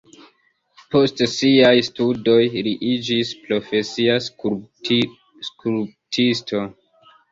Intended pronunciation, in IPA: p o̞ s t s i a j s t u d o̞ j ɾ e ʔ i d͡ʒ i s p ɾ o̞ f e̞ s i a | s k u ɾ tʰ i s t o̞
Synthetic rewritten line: p o̞ s t s i a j s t u d o̞ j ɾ i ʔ i d͡ʒ i s p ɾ o̞ f e̞ s i a | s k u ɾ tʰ i s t o̞